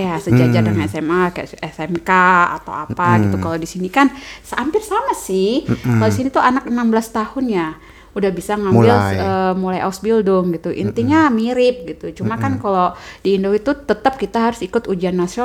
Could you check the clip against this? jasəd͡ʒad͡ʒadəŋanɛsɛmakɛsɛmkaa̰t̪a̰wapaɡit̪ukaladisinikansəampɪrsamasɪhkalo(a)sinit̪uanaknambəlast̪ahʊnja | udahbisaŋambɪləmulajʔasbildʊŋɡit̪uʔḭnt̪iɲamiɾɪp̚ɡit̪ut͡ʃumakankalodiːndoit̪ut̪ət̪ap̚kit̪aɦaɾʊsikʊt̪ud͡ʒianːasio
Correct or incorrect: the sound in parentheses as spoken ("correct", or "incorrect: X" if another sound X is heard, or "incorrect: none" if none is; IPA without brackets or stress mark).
incorrect: i